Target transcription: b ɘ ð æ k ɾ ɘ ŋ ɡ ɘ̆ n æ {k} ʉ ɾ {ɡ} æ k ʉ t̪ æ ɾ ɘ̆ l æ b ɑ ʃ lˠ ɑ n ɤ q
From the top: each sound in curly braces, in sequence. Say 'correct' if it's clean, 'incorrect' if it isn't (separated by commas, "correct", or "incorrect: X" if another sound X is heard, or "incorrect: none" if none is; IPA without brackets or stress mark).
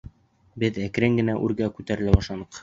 incorrect: ʔ, correct